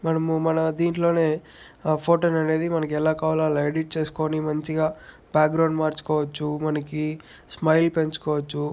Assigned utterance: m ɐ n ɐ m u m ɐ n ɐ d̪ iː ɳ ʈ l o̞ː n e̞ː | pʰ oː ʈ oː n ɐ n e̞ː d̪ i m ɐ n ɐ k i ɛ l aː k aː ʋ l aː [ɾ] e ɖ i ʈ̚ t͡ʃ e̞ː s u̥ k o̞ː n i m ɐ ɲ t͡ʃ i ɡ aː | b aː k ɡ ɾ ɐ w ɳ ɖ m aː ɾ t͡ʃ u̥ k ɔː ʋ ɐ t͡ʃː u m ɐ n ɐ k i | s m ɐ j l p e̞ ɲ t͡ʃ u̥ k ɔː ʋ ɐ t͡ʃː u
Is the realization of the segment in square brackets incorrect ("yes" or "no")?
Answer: yes